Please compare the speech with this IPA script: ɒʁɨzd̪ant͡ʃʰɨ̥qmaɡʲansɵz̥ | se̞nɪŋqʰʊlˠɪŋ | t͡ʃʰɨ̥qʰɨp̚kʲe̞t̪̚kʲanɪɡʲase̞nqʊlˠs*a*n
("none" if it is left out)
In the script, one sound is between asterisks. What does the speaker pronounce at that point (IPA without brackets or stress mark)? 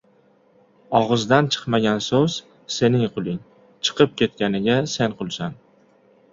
a